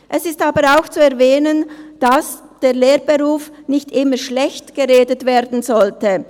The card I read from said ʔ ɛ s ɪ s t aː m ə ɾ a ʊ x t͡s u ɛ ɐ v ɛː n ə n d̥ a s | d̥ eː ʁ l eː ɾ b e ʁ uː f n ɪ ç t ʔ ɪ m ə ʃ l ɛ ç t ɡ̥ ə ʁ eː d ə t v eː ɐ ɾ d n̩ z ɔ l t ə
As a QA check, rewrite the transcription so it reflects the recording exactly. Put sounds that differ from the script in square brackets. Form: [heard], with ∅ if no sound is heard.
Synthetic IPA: ʔ ɛ s ɪ s t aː [b] ə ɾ a ʊ x t͡s u ɛ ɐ v ɛː n ə n d̥ a s | d̥ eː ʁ l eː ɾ b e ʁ uː f n ɪ ç t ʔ ɪ m ə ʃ l ɛ ç t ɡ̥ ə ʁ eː d ə t v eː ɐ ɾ d n̩ z ɔ l t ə